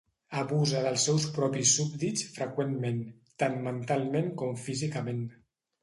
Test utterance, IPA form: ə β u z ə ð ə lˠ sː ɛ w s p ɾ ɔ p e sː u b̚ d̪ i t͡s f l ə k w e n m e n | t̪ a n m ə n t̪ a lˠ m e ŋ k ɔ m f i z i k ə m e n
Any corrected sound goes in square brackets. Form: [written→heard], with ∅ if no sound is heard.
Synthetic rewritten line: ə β u z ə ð ə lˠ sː ɛ w s p ɾ ɔ p [e→i] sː u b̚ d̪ i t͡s f [l→ɾ] ə k w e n m e n | t̪ a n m ə n t̪ a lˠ m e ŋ k ɔ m f i z i k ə m e n